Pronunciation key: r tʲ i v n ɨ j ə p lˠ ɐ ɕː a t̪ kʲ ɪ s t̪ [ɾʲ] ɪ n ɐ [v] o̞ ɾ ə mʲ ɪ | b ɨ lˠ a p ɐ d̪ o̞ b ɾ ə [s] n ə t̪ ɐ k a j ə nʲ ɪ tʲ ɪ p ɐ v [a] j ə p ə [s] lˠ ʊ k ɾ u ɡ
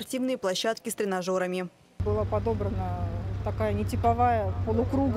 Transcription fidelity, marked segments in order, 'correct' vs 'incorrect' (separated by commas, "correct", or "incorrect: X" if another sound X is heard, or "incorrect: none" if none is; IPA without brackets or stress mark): correct, incorrect: ʐ, incorrect: none, correct, incorrect: none